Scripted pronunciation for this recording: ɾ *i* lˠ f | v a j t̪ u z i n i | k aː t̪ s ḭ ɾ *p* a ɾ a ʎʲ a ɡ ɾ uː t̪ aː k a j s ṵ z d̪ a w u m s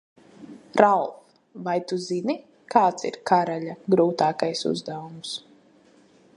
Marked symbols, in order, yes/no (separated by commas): no, no